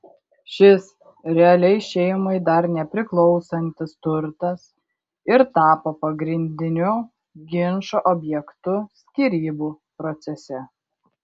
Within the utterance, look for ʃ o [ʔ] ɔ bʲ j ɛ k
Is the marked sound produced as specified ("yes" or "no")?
yes